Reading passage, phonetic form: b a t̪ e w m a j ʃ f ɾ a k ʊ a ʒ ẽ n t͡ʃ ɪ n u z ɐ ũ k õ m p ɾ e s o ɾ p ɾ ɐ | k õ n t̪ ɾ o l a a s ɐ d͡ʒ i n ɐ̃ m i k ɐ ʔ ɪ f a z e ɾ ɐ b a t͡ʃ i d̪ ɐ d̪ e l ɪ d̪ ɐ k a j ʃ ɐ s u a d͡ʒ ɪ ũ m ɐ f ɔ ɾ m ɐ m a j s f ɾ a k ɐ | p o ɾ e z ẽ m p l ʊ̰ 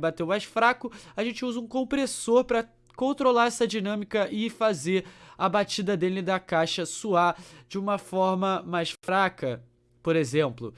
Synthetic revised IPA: b a t̪ e w m a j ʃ f ɾ a k ʊ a ʒ ẽ n t͡ʃ ɪ u z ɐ ũ k õ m p ɾ e s o ɾ p ɾ ɐ | k õ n t̪ ɾ o l a ɛ s ɐ d͡ʒ i n ɐ̃ m i k ɐ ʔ ɪ f a z e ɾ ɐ b a t͡ʃ i d̪ ɐ d̪ e l ɪ d̪ ɐ k a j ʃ ɐ s u a d͡ʒ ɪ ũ m ɐ f ɔ ɾ m ɐ m a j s f ɾ a k ɐ | p o ɾ e z ẽ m p l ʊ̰